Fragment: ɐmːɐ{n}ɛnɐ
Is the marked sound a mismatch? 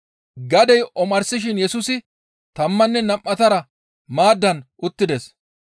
yes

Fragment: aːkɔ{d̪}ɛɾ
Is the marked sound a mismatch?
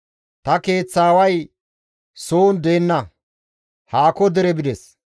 no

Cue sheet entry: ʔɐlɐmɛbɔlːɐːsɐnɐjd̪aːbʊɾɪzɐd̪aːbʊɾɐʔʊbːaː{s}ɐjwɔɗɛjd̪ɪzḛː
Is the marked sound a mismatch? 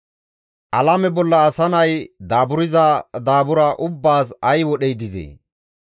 no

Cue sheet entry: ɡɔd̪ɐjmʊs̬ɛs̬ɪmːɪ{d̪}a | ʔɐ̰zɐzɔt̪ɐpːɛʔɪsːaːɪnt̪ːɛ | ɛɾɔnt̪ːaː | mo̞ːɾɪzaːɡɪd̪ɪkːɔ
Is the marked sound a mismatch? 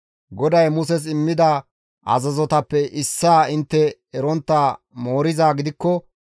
no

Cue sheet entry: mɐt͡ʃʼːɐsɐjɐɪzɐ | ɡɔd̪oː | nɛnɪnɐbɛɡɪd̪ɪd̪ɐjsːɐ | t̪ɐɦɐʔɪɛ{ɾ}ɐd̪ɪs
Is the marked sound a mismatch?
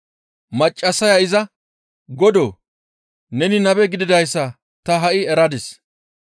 no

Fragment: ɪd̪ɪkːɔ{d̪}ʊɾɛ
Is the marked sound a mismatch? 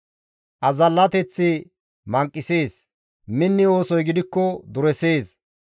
no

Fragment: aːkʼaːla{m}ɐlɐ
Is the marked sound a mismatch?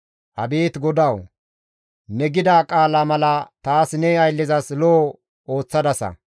no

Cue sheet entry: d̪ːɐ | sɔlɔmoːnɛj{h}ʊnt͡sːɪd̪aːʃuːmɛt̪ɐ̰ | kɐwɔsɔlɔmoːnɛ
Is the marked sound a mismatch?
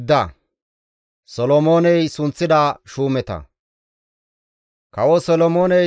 yes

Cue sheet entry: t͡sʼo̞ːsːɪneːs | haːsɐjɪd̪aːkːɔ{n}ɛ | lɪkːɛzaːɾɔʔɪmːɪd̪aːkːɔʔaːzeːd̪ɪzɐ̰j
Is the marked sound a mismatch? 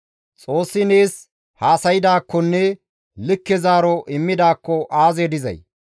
yes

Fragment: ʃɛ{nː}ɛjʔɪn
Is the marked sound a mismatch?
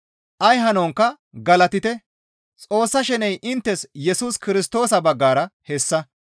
yes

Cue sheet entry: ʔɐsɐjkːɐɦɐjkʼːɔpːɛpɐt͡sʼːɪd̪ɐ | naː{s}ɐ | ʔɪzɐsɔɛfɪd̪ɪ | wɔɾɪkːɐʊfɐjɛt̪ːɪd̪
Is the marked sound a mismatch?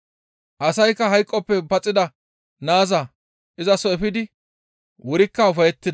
yes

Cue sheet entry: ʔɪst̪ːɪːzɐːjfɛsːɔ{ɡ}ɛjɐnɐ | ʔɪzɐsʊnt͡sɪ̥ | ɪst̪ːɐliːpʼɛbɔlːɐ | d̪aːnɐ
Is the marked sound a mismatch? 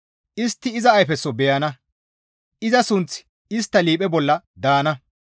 yes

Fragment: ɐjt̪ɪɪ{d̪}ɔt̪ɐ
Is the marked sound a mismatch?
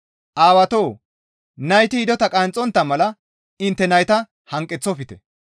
no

